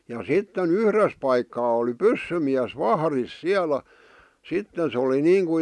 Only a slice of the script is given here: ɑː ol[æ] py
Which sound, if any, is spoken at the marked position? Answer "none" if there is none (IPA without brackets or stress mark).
i